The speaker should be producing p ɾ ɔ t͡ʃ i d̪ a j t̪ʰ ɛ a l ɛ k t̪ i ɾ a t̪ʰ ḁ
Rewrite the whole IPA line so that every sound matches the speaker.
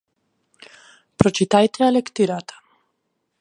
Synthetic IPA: p ɾ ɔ t͡ʃ i t̪ a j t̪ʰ ɛ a l ɛ k t̪ i ɾ a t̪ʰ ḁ